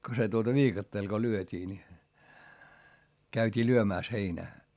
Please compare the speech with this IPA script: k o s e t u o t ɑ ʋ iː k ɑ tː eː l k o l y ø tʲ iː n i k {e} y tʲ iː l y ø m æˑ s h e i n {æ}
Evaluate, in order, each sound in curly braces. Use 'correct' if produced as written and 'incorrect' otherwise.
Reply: incorrect: æ, incorrect: æː

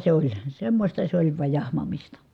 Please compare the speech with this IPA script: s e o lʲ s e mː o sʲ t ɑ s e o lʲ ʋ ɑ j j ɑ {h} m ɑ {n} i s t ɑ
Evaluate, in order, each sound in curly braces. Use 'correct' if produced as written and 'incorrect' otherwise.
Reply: correct, incorrect: m

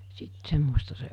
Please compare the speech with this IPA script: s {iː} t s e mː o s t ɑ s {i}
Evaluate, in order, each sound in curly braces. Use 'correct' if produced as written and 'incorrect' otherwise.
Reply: incorrect: i, incorrect: e

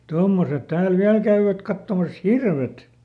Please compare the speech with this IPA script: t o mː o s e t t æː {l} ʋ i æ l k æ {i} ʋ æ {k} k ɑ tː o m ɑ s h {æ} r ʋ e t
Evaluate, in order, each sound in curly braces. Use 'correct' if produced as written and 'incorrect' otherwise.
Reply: correct, incorrect: y, incorrect: t, incorrect: i

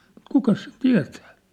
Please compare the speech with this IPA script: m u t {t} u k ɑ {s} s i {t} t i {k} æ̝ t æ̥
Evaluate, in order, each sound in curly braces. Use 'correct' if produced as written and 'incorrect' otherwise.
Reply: incorrect: k, correct, correct, incorrect: none

